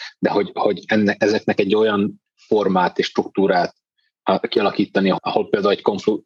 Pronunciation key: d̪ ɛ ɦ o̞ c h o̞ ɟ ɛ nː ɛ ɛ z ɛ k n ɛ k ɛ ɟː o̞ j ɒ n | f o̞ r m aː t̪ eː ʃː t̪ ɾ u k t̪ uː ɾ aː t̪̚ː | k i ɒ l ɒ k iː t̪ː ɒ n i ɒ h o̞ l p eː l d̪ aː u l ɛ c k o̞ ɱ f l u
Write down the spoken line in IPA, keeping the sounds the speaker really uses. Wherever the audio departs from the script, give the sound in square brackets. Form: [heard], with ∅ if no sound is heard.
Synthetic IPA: d̪ ɛ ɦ o̞ [ɟ] h o̞ ɟ ɛ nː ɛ ɛ z ɛ k n ɛ k ɛ ɟː o̞ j ɒ n | f o̞ r m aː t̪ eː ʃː t̪ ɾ u k t̪ uː ɾ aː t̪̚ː | k i ɒ l ɒ k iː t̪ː ɒ n i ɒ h o̞ l p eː l d̪ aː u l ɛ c k o̞ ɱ f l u